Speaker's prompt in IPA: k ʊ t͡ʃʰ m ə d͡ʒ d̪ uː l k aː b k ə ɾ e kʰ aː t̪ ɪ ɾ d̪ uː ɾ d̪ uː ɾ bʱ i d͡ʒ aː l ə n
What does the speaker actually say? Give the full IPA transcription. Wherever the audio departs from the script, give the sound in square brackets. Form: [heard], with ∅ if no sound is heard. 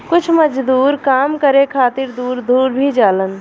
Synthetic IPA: k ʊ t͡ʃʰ m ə d͡ʒ d̪ uː [ɾ] k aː [m] k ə ɾ e kʰ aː t̪ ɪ ɾ d̪ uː ɾ d̪ uː ɾ bʱ i d͡ʒ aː l ə n